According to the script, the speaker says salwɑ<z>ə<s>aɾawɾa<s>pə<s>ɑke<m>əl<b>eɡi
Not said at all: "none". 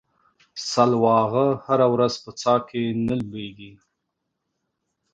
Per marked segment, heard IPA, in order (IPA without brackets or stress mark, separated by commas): ɣ, h, z, t͡s, n, b